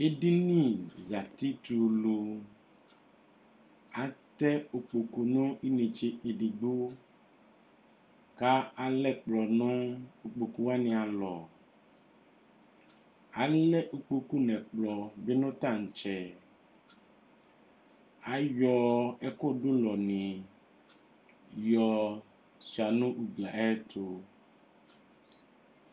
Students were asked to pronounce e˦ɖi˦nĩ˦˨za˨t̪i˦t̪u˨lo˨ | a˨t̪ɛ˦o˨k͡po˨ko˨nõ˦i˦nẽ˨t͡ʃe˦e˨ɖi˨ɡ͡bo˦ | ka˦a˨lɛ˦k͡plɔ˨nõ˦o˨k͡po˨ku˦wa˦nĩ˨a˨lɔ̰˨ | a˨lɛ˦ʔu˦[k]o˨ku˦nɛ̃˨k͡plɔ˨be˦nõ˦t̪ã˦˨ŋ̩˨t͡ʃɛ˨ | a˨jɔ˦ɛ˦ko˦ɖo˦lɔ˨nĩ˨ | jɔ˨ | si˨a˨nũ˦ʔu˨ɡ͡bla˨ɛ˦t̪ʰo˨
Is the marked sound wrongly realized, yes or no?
yes